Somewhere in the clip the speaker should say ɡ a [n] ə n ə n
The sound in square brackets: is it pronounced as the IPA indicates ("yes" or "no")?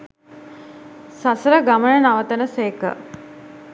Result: no